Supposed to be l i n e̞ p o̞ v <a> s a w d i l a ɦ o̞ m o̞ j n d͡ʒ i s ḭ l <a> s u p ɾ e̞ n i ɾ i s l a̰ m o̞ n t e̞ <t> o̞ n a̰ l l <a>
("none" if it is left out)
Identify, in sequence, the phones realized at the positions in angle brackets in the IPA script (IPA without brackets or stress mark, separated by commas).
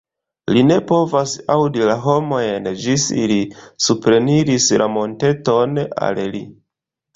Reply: a, i, t, i